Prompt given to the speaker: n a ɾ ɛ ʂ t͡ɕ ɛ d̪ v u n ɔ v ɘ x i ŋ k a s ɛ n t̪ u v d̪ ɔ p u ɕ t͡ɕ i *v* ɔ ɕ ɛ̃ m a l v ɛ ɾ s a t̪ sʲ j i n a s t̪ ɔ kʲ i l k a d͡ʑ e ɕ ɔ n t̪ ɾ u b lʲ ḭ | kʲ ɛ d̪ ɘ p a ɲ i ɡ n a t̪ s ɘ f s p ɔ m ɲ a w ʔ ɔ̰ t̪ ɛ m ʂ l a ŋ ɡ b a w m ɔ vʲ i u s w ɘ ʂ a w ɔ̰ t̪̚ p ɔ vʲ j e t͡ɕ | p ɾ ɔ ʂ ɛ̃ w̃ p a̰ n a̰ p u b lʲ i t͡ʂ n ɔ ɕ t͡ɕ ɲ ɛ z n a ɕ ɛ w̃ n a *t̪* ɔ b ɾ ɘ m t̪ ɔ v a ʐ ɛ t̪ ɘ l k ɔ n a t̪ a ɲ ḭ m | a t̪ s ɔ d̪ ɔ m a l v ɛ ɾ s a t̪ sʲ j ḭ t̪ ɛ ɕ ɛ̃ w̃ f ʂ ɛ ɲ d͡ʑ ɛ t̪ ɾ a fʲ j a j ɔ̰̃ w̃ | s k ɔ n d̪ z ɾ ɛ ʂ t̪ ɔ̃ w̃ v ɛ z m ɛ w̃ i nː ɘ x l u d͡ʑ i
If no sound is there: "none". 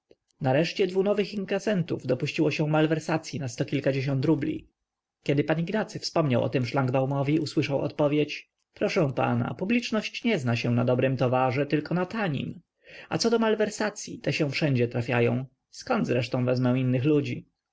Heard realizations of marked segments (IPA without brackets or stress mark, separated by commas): w, d̪